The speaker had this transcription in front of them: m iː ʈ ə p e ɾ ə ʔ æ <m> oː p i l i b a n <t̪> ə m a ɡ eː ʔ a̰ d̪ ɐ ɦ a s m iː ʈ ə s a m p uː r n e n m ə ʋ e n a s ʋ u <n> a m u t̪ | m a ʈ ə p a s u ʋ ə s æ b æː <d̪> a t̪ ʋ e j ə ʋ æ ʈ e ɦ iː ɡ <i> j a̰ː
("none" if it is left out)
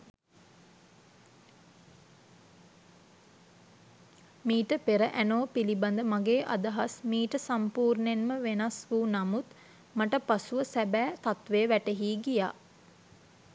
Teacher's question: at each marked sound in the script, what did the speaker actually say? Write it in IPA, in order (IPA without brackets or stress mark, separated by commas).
n, d̪, n, t̪, i